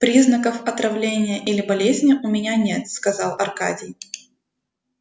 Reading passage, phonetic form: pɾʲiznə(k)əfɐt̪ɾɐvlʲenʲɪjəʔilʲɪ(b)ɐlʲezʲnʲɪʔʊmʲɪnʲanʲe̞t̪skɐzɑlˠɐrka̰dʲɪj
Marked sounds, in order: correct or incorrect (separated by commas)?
correct, correct